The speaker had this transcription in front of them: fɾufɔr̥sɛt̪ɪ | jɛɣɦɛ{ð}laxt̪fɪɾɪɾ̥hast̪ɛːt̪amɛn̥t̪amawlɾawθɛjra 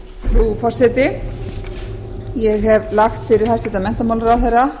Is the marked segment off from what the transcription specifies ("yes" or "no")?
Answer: yes